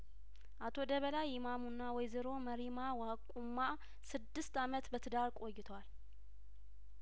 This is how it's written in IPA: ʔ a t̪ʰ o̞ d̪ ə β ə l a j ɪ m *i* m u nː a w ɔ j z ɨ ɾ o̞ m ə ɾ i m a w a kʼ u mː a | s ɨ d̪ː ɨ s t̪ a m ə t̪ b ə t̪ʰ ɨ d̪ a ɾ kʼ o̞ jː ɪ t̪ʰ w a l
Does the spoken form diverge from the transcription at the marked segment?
yes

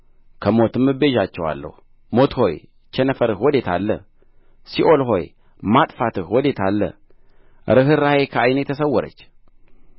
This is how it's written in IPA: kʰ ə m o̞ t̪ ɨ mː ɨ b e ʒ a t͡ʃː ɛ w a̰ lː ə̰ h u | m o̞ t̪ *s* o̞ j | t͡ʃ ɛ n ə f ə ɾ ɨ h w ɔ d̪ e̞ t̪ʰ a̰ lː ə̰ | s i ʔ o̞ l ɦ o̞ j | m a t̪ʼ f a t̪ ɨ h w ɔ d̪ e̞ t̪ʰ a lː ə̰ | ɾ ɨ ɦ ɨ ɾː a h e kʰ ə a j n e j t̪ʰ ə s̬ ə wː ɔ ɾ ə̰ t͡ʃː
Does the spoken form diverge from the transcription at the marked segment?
yes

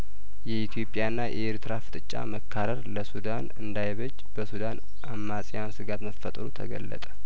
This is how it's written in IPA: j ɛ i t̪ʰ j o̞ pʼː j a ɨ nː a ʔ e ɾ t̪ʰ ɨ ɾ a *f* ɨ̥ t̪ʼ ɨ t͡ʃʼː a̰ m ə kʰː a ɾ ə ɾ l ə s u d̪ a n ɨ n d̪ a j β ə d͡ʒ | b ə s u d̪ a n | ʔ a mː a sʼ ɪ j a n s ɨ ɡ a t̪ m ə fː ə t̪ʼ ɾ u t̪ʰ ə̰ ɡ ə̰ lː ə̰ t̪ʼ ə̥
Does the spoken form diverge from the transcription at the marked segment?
no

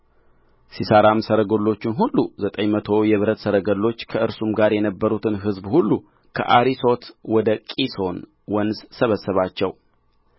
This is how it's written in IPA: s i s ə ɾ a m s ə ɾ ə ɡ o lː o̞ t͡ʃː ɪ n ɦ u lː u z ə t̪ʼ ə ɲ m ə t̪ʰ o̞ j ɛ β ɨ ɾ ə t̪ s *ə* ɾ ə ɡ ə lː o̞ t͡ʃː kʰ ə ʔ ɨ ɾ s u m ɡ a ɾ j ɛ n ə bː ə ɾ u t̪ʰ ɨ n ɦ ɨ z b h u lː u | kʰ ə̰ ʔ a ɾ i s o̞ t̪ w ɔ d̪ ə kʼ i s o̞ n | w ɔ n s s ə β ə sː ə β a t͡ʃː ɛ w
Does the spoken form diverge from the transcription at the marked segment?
no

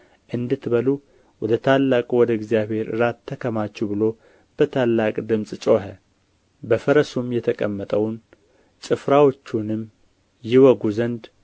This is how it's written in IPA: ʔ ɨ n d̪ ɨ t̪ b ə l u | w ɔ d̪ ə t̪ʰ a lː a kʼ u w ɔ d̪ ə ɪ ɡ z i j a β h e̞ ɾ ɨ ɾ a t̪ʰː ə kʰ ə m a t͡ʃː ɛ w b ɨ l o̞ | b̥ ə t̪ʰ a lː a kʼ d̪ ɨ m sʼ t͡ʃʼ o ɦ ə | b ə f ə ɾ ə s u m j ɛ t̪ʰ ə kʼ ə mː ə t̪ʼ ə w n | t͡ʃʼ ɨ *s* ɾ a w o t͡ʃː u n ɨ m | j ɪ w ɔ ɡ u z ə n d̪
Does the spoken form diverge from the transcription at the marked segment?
yes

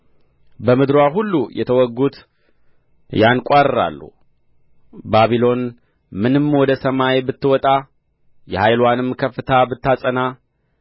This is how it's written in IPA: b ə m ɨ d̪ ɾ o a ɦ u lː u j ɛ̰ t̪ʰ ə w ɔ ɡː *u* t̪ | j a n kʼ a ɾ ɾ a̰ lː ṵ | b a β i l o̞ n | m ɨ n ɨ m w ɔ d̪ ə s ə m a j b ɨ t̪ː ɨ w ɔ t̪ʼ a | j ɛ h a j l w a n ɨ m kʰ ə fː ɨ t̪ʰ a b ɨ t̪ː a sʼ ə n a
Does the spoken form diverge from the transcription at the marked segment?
no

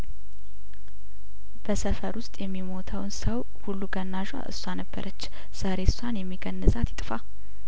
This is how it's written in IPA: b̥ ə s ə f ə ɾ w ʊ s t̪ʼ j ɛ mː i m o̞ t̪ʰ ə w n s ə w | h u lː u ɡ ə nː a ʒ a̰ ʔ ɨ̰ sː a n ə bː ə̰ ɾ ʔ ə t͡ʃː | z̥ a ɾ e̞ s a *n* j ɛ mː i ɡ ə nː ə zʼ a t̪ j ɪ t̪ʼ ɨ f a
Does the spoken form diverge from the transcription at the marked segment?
no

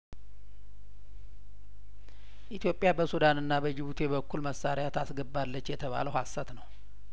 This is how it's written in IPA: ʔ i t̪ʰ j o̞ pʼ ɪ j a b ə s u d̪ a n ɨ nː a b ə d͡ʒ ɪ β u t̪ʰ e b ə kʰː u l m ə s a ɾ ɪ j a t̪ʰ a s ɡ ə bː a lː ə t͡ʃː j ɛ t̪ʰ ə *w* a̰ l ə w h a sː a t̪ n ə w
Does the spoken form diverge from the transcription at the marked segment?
yes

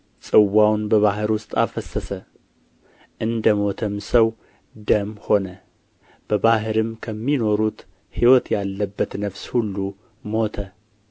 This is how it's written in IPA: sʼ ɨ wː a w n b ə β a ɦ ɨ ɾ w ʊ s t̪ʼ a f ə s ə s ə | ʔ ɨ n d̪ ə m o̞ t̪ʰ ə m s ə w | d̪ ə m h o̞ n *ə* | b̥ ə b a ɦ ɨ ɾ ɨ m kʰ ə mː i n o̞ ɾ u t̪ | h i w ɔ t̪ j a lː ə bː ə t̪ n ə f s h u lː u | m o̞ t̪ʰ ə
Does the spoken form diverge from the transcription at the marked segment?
no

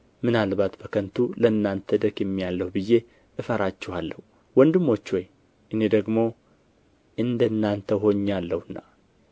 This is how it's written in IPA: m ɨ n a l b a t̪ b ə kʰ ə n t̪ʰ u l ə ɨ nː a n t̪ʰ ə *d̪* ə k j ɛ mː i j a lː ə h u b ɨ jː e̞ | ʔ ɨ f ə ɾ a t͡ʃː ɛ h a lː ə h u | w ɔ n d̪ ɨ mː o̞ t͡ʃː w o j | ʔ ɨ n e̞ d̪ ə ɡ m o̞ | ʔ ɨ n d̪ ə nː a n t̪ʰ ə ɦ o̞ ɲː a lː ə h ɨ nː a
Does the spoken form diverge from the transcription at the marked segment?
no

